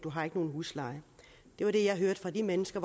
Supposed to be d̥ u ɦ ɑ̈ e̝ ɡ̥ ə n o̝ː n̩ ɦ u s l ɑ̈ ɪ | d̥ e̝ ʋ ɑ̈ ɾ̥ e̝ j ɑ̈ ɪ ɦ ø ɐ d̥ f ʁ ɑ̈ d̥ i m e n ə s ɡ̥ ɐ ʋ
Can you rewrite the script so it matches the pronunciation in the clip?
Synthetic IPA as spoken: d̥ u ɦ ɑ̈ e̝ ɡ̥ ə n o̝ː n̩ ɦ u s l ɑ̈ ɪ | d̥ e̝ ʋ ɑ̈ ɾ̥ e̝ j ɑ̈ ɪ ɦ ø ɐ d̥ f ʁ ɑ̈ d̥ i m e n ə s ɡ̥ ɐ ʋ